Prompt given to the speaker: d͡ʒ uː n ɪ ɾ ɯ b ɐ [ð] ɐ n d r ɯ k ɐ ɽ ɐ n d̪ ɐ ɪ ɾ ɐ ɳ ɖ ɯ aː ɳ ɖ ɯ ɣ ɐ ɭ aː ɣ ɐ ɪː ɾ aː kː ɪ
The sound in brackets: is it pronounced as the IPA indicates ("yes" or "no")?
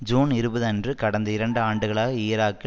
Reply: yes